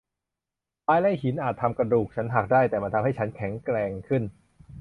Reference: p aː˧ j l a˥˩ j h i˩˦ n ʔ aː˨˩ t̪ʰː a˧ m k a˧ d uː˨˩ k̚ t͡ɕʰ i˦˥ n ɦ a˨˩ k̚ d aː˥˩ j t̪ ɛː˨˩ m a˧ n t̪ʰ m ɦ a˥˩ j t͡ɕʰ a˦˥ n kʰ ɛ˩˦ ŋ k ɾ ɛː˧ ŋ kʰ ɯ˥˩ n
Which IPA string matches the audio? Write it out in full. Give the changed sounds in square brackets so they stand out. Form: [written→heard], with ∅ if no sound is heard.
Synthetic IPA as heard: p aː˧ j l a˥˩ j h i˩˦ n ʔ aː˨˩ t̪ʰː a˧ m k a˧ d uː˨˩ k̚ t͡ɕʰ [i˦˥→a˦˥] n ɦ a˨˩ k̚ d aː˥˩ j t̪ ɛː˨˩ m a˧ n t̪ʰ m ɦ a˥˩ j t͡ɕʰ a˦˥ n kʰ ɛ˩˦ ŋ k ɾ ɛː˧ ŋ kʰ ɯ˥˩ n